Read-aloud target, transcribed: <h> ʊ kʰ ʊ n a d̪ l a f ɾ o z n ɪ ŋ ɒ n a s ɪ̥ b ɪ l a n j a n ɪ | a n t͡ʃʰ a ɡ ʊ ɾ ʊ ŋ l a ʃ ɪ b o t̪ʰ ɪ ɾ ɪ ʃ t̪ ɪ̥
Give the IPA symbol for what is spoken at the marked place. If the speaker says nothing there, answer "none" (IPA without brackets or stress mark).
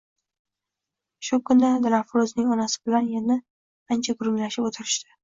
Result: ʃ